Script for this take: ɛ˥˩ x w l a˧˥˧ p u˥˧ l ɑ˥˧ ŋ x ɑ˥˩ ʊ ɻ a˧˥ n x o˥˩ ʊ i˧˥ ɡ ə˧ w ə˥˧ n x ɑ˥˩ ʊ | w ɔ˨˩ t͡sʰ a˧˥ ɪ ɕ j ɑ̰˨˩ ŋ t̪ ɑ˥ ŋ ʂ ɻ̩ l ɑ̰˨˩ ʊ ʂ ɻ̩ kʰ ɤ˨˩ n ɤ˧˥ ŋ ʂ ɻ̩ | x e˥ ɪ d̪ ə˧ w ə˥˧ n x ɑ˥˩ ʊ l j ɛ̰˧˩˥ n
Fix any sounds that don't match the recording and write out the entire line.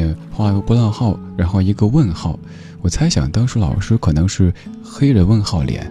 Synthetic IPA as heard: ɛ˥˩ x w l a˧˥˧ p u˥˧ l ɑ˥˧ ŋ x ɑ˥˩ ʊ ɻ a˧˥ n x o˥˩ ʊ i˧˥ ɡ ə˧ w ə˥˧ n x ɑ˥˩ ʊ | w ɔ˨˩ t͡sʰ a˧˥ ɪ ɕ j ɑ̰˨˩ ŋ t̪ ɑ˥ ŋ ʂ ɻ̩ l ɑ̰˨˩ ʊ ʂ ɻ̩ kʰ ɤ˨˩ n ɤ˧˥ ŋ ʂ ɻ̩ | x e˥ ɪ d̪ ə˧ w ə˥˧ n x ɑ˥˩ ʊ l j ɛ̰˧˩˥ n